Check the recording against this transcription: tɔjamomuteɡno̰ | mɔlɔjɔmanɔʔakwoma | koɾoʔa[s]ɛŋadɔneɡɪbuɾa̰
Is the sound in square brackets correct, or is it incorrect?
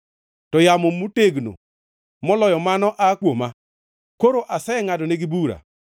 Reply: correct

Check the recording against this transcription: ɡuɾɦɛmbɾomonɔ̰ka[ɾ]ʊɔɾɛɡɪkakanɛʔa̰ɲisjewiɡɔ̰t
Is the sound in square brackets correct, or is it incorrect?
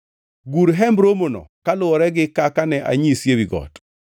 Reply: incorrect: l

